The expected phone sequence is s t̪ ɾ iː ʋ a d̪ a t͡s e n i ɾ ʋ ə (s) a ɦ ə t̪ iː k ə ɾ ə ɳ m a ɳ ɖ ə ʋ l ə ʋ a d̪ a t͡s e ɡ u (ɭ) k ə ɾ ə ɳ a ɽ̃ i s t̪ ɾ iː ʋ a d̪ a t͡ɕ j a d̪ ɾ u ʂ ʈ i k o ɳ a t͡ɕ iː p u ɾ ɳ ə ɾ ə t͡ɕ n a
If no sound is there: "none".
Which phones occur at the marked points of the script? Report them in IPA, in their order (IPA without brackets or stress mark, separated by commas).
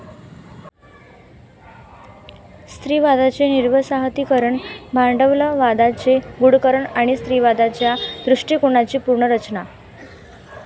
s, ɽ